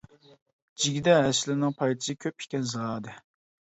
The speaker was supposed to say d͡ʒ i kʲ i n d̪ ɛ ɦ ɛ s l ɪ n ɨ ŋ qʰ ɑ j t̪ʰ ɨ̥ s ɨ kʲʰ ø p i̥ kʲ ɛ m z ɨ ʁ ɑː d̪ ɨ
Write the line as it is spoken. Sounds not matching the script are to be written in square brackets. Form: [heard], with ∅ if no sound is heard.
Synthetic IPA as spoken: d͡ʒ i [ɡʲ] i [∅] d̪ ɛ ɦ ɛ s l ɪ n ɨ ŋ [pʰ] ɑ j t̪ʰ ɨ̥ s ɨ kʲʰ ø p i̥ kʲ ɛ [n] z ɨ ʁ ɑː d̪ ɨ